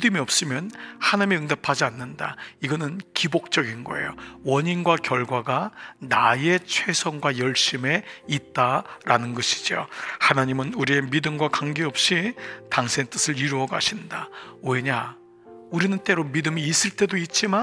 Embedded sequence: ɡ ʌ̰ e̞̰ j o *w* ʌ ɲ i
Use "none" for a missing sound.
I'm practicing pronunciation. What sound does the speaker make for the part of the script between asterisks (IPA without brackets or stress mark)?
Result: w